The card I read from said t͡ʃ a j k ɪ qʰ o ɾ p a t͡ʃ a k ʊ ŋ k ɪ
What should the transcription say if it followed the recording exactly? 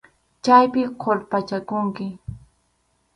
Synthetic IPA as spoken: t͡ʃ a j p ɪ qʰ o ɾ p a t͡ʃ a k ʊ ŋ k ɪ